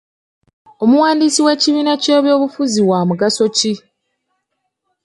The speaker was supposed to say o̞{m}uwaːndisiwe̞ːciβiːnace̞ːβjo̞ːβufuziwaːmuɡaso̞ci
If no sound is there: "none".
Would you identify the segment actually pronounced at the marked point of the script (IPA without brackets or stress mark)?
m